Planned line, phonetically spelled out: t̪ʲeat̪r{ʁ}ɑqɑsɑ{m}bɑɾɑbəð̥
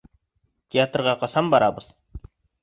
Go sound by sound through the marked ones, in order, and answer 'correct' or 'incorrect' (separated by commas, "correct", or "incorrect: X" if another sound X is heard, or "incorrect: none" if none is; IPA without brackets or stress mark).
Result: correct, correct